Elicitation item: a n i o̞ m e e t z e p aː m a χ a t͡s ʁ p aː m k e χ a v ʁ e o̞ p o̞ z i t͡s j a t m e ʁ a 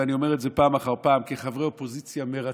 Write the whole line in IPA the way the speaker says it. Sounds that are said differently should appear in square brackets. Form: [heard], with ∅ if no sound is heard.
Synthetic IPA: a n i o̞ m e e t z e p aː m a χ a [∅] ʁ p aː m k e χ a v ʁ e o̞ p o̞ z i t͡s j a [∅] m e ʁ a